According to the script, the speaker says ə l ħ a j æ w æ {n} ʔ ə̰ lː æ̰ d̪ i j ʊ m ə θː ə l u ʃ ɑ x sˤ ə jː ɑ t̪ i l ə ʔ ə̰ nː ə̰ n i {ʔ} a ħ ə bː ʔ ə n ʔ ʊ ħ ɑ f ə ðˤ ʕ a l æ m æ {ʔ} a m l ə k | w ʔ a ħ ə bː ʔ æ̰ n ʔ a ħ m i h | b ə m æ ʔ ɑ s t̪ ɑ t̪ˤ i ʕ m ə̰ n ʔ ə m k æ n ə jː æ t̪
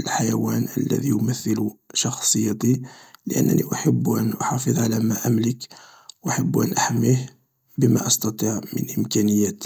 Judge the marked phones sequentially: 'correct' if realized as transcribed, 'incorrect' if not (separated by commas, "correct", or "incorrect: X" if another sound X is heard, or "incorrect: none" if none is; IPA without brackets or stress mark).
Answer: correct, correct, correct